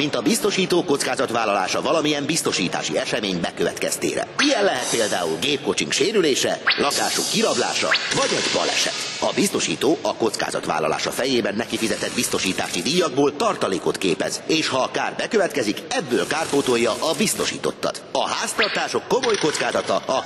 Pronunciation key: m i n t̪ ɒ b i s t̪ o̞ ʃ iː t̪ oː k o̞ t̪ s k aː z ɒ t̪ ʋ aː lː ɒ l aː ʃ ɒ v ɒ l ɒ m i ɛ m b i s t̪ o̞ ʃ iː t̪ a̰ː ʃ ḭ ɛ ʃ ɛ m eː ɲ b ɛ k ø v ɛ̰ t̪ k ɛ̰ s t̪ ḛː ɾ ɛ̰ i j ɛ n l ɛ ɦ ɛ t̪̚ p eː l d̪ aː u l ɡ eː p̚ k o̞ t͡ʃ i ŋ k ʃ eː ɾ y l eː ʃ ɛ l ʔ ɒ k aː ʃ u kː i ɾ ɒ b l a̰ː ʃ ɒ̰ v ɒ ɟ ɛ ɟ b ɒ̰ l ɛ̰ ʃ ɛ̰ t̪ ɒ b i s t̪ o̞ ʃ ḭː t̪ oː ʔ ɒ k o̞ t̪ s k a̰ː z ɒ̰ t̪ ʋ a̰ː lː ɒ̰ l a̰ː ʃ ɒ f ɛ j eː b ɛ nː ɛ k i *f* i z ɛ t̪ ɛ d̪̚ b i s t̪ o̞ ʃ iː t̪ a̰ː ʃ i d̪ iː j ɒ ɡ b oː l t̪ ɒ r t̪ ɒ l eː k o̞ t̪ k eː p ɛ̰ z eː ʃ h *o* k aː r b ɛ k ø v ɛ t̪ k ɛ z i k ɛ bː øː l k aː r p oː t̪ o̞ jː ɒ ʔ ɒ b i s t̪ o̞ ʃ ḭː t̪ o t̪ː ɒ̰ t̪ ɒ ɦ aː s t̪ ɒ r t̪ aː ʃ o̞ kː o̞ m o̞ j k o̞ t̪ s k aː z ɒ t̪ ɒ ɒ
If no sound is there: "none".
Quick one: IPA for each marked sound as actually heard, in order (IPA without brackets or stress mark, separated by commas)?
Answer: f, ɒ